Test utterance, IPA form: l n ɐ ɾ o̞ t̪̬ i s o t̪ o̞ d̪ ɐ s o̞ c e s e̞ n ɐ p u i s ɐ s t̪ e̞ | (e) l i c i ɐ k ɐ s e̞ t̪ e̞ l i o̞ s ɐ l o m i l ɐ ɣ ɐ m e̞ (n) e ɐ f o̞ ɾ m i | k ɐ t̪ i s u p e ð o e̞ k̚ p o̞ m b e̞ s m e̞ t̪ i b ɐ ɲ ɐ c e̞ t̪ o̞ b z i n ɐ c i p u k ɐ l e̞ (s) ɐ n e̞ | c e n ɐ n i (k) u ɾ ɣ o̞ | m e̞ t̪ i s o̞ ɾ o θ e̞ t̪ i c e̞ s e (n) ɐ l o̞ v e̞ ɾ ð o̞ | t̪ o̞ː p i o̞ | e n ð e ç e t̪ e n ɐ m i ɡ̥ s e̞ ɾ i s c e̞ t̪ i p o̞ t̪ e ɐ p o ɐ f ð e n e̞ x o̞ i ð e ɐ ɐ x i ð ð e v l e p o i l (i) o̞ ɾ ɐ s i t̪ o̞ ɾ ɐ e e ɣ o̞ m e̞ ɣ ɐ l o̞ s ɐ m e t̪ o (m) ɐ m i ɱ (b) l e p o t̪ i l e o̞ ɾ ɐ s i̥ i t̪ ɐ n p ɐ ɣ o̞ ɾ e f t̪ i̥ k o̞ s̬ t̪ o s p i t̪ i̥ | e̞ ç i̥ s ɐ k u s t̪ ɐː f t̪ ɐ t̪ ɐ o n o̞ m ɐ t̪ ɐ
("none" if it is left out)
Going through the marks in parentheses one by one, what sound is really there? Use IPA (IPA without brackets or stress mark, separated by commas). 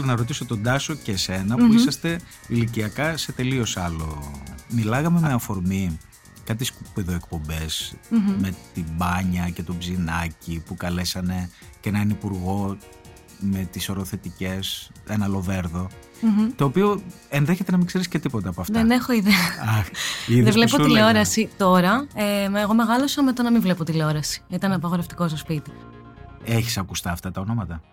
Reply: i, m, s, p, n, e, n, v